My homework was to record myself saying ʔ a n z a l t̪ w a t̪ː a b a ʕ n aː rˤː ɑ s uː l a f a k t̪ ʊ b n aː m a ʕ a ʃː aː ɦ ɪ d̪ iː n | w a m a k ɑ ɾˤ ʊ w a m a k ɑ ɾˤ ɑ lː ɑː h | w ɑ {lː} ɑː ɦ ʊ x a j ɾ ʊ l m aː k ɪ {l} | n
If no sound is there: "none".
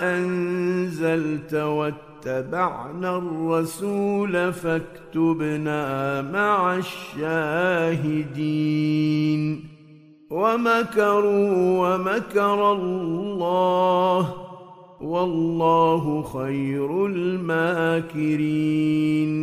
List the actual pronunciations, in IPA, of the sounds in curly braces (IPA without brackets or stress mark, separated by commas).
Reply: lː, ɾ